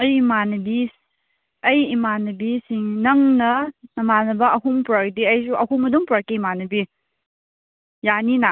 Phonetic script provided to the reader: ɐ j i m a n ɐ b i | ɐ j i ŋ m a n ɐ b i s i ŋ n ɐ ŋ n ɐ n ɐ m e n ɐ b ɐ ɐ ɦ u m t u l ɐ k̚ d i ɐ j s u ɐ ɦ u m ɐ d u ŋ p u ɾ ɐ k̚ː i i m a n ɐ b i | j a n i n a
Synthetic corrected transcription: ɐ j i m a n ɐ b i | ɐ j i m a n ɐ b i s i ŋ n ɐ ŋ n ɐ n ɐ m a n ɐ b ɐ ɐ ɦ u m p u ɾ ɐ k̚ d i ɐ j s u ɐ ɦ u m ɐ d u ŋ p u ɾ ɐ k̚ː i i m a n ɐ b i | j a n i n a